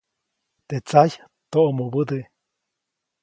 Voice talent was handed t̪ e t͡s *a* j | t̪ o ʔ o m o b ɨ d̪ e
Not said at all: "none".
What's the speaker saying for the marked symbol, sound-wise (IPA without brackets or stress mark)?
a